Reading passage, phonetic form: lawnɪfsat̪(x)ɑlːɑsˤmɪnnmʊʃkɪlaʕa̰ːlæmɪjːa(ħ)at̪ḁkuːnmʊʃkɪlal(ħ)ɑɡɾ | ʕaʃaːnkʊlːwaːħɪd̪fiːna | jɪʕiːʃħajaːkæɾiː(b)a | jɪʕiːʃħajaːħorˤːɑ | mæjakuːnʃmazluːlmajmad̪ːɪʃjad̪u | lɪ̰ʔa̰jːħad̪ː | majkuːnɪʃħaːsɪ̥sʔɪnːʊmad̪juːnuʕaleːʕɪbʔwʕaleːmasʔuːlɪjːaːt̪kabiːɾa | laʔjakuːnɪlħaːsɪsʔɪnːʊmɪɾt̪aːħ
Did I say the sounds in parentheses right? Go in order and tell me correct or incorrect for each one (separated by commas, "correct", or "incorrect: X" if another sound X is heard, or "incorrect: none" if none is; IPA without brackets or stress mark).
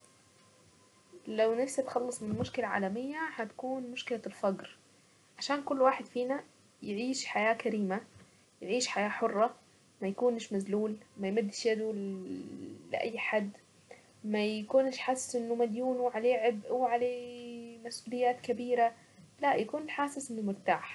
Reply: correct, incorrect: h, incorrect: f, incorrect: m